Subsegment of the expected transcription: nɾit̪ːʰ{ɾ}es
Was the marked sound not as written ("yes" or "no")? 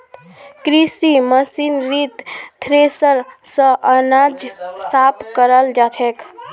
no